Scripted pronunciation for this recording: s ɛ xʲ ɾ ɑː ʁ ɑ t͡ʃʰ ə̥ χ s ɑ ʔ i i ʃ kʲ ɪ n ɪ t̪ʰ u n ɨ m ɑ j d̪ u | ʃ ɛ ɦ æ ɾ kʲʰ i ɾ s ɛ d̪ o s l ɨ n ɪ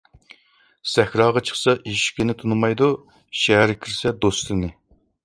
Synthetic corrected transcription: s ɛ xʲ ɾ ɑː ʁ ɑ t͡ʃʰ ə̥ χ s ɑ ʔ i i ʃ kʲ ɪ n ɪ t̪ʰ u n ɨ m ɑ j d̪ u | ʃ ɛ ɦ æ ɾ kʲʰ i ɾ s ɛ d̪ o s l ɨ n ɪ